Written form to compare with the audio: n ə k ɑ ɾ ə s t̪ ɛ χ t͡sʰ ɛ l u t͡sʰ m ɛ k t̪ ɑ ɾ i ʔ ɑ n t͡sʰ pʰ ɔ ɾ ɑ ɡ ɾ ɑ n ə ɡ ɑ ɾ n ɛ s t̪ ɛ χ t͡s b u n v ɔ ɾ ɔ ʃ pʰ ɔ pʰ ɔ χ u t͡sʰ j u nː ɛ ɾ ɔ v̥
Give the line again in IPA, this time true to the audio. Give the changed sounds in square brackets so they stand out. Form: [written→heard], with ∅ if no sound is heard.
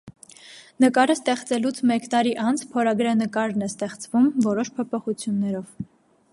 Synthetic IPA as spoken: n ə k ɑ ɾ ə s t̪ ɛ χ [t͡sʰ→t͡s] ɛ l u t͡sʰ m ɛ k t̪ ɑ ɾ i ʔ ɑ n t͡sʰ pʰ ɔ ɾ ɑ ɡ ɾ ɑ n ə [ɡ→k] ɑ ɾ n ɛ s t̪ ɛ χ t͡s [b→v] u [n→m] v ɔ ɾ ɔ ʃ pʰ ɔ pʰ ɔ χ u t͡sʰ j u nː ɛ ɾ ɔ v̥